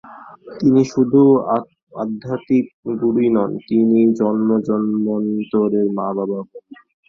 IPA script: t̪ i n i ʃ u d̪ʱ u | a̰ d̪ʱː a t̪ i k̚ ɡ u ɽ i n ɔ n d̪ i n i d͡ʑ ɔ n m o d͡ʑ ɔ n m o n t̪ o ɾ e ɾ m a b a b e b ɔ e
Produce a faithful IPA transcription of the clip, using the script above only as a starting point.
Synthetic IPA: t̪ i n i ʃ u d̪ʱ u | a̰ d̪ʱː a t̪ i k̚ ɡ u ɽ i n ɔ n t̪ i n i d͡ʑ ɔ n m o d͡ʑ ɔ n m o n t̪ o ɾ e ɾ m a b a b a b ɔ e